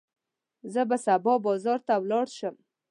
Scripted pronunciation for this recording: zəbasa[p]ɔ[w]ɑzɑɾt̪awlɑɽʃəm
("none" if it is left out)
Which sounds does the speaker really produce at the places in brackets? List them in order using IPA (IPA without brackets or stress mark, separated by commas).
b, b